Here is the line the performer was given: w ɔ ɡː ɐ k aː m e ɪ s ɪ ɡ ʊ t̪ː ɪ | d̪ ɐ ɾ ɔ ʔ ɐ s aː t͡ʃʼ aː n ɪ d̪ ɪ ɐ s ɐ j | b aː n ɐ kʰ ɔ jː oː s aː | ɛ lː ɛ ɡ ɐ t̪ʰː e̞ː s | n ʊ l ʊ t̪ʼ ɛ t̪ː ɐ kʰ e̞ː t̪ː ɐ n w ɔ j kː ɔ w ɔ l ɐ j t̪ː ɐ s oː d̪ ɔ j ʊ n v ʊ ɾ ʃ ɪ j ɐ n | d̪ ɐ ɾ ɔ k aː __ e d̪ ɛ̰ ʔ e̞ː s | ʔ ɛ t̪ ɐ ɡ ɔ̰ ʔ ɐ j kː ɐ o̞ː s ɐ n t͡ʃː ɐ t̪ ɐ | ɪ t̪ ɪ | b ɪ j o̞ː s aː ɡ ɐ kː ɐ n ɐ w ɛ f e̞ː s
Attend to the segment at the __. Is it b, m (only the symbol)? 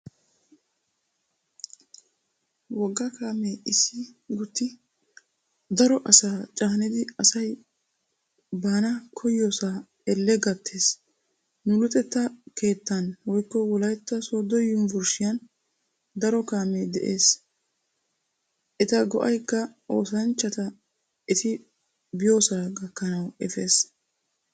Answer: m